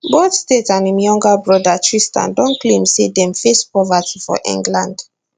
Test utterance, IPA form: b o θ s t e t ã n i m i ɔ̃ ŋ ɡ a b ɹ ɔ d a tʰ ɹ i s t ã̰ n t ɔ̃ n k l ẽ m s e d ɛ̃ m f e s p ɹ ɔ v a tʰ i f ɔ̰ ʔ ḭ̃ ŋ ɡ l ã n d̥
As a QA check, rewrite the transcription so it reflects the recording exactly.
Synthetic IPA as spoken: b o θ s t e t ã n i m j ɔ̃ ŋ ɡ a b ɹ ɔ d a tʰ ɹ i s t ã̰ n d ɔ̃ n k l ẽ m s e d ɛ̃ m f e s p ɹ ɔ v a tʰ i f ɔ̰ ʔ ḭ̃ ŋ ɡ l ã n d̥

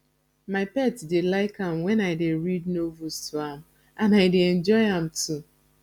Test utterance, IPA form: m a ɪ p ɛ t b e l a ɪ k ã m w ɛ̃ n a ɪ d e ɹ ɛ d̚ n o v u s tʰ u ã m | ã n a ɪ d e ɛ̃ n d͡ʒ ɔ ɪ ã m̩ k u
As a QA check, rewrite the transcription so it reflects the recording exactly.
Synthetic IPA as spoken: m a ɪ p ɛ t d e l a ɪ k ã m w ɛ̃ n a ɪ d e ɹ i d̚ n o v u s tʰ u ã m | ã n a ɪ d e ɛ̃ n d͡ʒ ɔ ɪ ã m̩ t u

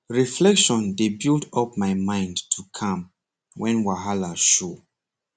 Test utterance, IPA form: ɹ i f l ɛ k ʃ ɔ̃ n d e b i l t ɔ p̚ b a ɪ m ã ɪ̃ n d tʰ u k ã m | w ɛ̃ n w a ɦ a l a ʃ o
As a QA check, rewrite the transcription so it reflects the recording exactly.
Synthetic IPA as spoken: ɹ i f l ɛ k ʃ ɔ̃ n d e b i l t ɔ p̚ m a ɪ m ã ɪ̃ n d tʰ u kʰ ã m | w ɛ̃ n w a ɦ a l a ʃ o

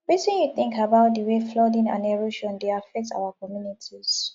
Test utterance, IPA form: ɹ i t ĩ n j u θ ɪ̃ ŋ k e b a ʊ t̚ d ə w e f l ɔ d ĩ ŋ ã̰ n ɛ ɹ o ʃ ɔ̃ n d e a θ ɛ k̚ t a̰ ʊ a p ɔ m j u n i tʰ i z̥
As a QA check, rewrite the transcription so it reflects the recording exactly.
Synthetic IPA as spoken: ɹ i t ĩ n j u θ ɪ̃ ŋ k a b a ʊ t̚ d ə w e f l ɔ d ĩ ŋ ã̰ n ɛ ɹ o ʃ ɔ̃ n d e a f ɛ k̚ t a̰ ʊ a k ɔ m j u n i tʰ i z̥

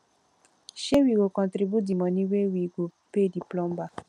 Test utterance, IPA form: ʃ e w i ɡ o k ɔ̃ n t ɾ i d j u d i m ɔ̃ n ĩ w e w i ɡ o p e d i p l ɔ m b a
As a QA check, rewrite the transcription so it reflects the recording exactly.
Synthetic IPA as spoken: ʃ e w i ɡ o k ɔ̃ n t ɾ i b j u d i m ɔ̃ n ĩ w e w i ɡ o p e d i p l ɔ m b a

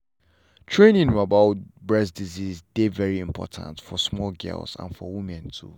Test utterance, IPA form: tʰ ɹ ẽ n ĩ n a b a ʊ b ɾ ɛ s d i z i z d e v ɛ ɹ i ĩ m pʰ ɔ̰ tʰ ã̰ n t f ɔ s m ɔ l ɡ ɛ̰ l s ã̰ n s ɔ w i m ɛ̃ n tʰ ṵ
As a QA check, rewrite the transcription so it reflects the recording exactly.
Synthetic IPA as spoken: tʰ ɹ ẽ n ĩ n a b a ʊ b ɹ ɛ s d i z i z d e v ɛ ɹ i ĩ m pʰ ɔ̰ tʰ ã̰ n t f ɔ s m ɔ l ɡ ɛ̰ l s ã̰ n f ɔ w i m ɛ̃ n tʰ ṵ

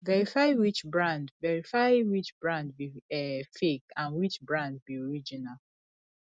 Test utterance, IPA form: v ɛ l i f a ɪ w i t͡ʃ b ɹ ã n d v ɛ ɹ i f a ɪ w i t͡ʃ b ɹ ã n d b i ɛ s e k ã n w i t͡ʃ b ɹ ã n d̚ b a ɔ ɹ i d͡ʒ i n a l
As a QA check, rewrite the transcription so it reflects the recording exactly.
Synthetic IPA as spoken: v ɛ ɹ i f a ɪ w i t͡ʃ b ɹ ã n d v ɛ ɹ i f a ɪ w i t͡ʃ b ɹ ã n d b i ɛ f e k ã n w i t͡ʃ b ɹ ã n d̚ b i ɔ ɹ i d͡ʒ i n a l

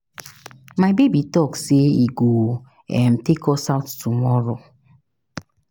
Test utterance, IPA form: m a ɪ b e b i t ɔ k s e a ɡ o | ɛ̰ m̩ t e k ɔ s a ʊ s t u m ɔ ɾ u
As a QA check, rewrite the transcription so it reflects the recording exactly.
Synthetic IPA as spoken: m a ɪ b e b i t ɔ k s e i ɡ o | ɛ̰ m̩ t e k ɔ s a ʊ t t u m ɔ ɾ o

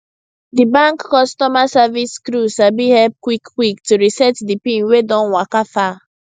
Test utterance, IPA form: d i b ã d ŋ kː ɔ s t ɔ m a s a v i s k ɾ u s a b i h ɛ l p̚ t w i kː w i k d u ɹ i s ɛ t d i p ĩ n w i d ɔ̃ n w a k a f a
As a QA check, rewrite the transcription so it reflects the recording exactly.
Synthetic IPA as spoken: d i b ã ŋ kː ɔ s t ɔ m a s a v i s k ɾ u s a b i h ɛ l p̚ k w i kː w i k t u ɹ i s ɛ t d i p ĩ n w e d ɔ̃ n w a k a f a

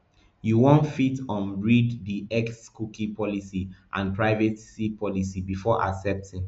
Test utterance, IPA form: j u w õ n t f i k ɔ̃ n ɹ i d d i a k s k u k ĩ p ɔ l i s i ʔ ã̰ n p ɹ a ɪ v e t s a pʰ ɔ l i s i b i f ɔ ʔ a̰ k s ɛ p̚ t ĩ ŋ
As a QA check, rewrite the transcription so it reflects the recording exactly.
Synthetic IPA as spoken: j u w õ n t f i t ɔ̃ n ɹ i d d i ɛ k s k u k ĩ p ɔ l i s i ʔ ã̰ n p ɹ a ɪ v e t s i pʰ ɔ l i s i b i f ɔ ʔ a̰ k s ɛ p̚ t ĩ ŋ

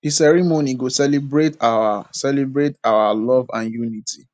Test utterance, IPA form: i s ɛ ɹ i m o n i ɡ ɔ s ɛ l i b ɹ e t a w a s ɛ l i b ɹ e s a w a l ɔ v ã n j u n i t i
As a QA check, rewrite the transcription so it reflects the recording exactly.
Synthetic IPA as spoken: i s ɛ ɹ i m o n i ɡ o s ɛ l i b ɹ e t a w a s ɛ l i b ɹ e t a w a l ɔ v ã n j u n i t i

